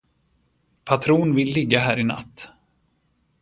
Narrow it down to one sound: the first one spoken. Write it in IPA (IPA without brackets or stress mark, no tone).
pʰ